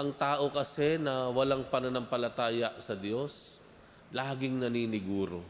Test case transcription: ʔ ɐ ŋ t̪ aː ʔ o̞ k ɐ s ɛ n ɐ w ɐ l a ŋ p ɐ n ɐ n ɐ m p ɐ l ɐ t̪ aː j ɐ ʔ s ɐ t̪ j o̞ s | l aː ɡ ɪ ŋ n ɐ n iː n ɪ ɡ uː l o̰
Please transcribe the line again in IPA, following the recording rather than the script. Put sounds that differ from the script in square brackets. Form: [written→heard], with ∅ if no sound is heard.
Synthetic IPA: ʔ ɐ ŋ t̪ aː ʔ o̞ k ɐ s ɛ n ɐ w ɐ l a ŋ p ɐ n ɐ n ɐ m p ɐ l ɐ t̪ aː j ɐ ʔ s ɐ [t̪→d̪] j o̞ s | l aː ɡ ɪ ŋ n ɐ n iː n ɪ ɡ uː [l→ɾ] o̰